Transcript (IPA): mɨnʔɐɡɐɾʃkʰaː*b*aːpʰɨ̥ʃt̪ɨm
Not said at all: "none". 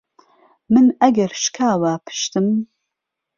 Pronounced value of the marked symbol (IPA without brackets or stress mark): w